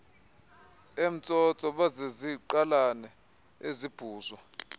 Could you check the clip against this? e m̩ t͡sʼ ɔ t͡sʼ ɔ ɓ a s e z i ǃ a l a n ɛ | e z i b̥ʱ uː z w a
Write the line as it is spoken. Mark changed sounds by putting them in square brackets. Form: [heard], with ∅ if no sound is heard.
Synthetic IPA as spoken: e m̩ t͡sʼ ɔ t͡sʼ ɔ ɓ a [z] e z i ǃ a l a n ɛ | e z i b̥ʱ uː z w a